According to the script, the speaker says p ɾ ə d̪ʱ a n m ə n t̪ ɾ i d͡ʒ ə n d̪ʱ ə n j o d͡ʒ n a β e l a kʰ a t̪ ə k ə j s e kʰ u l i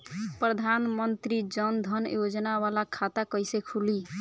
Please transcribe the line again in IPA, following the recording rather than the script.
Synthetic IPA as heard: p ɾ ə d̪ʱ a n m ə n t̪ ɾ i d͡ʒ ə n d̪ʱ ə n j o d͡ʒ n a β a l a kʰ a t̪ a k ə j s e kʰ u l i